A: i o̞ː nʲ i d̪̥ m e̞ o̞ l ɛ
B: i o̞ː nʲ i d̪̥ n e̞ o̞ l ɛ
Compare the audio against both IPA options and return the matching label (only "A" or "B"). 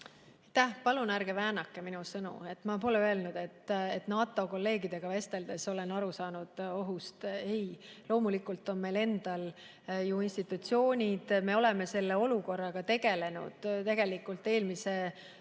A